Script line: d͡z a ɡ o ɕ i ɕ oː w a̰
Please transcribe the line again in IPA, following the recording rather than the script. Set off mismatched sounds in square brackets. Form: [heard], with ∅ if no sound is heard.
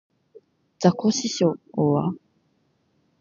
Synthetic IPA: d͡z a [k] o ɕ i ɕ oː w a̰